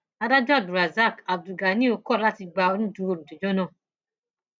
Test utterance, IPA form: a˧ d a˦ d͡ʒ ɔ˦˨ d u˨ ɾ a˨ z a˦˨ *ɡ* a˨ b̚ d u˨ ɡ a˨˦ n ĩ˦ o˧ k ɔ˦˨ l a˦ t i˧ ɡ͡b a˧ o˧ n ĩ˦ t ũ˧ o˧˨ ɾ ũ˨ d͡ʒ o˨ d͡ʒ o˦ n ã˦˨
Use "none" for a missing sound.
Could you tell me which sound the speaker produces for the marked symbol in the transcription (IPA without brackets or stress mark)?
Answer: k